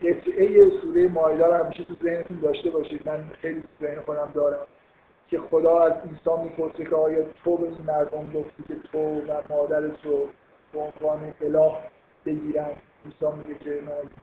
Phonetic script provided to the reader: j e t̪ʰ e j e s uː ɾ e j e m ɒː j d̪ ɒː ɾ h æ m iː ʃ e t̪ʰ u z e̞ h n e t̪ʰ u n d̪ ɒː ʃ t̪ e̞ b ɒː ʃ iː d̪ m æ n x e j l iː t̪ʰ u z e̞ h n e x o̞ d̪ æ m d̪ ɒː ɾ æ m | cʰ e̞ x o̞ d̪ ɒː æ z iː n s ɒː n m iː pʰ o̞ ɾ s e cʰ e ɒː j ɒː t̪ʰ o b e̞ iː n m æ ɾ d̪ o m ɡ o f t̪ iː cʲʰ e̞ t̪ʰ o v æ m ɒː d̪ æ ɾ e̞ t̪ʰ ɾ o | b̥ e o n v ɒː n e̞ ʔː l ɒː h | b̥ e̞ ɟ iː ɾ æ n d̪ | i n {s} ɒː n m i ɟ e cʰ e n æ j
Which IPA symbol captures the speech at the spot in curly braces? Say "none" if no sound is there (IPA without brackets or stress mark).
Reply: s